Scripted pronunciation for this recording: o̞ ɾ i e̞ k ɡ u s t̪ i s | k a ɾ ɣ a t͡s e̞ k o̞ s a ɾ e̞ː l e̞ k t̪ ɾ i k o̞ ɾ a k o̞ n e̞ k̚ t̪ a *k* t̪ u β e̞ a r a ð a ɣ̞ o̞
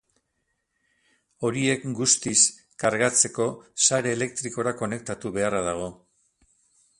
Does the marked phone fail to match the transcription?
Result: yes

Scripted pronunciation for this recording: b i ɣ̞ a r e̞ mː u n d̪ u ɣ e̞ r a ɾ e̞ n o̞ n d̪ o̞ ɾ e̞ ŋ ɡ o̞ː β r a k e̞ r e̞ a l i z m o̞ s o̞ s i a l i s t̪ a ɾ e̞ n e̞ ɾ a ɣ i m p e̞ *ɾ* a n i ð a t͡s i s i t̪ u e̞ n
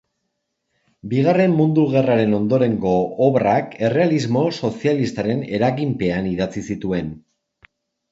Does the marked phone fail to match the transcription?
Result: yes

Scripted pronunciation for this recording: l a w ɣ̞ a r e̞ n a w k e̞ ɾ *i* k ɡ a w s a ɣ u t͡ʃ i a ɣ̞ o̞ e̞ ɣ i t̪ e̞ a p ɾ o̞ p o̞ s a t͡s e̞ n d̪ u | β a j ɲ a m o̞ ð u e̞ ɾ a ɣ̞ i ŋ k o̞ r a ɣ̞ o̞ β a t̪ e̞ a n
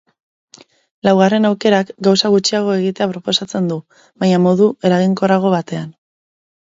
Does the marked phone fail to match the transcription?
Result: yes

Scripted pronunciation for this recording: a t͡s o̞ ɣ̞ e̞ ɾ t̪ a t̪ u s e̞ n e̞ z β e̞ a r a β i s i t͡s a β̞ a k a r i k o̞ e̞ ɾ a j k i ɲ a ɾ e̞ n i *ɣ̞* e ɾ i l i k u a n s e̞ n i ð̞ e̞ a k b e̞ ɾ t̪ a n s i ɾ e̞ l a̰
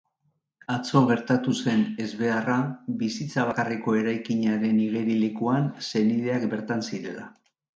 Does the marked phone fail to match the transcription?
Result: no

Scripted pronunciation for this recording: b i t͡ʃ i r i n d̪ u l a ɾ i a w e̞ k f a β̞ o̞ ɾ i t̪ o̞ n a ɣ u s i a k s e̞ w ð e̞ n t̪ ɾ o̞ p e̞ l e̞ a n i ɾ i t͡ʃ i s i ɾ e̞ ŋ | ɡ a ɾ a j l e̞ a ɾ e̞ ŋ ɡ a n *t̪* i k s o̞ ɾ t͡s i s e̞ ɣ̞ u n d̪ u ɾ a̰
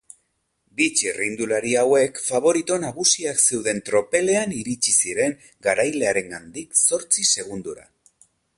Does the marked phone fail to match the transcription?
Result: yes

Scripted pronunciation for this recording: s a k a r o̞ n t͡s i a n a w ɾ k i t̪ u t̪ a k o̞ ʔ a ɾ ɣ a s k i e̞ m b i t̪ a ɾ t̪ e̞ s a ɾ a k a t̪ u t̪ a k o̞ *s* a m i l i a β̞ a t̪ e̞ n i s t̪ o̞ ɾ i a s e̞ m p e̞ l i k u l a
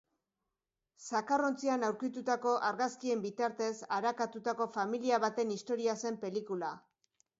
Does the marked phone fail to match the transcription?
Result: yes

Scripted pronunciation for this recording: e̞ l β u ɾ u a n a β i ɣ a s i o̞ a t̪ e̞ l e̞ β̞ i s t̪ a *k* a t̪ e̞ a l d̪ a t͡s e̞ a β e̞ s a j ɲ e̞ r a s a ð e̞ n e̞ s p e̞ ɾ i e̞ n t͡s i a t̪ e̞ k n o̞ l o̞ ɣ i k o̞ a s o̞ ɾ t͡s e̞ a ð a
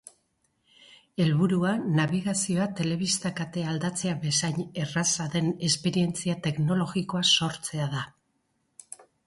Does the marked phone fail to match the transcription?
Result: no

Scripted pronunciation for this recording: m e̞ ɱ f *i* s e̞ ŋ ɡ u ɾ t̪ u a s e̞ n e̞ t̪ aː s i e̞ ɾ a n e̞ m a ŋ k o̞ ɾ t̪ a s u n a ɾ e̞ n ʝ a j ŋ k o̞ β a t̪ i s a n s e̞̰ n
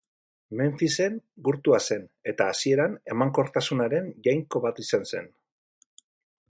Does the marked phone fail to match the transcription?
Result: no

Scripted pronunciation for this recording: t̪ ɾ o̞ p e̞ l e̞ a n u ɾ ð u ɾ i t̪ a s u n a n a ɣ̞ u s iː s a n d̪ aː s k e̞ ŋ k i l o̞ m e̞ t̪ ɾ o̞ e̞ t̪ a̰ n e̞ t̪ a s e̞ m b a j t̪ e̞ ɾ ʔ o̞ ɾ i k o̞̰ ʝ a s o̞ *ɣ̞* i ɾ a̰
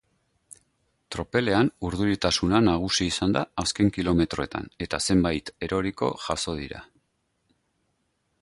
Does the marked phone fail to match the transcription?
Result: yes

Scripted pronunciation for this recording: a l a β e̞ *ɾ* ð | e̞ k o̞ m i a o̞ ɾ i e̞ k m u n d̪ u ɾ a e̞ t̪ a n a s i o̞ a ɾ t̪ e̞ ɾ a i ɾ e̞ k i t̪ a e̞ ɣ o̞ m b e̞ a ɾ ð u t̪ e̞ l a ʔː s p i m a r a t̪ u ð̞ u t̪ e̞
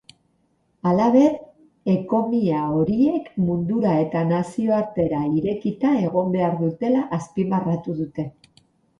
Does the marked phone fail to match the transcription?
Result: yes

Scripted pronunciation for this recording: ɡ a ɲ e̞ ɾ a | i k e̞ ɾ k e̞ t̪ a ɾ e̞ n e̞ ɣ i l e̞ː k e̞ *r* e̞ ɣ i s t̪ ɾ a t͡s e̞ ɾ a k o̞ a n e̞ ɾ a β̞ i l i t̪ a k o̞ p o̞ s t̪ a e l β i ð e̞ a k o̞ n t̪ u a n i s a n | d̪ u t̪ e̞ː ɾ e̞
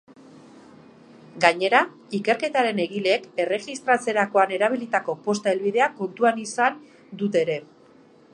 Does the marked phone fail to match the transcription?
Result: no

